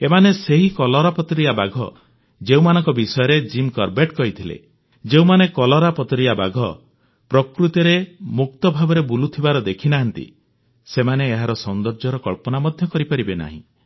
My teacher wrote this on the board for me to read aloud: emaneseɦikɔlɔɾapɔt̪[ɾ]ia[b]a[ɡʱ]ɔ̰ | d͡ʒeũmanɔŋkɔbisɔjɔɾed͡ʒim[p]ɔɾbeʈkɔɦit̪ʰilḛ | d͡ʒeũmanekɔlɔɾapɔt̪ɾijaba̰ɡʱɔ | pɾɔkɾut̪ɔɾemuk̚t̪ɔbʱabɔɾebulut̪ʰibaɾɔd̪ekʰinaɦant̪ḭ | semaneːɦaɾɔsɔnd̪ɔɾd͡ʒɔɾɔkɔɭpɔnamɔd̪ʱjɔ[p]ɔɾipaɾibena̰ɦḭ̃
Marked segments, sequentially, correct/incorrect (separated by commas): correct, correct, correct, incorrect, incorrect